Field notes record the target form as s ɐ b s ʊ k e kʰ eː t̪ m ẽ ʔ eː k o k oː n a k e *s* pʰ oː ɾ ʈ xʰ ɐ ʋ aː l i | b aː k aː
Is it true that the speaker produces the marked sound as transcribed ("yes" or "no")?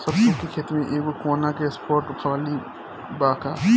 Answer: yes